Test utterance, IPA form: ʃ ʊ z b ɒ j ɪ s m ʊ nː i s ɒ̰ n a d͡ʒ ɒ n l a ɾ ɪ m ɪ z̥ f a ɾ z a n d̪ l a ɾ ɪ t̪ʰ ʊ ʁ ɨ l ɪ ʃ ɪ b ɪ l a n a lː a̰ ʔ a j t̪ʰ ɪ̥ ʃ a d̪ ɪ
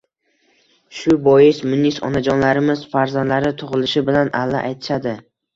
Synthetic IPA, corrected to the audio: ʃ ʊ b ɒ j ɪ s m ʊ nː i s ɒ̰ n a d͡ʒ ɒ n l a ɾ ɪ m ɪ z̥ f a ɾ z a n d̪ l a ɾ ɪ t̪ʰ ʊ ʁ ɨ l ɪ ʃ ɪ b ɪ l a n a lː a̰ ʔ a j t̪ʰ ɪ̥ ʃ a d̪ ɪ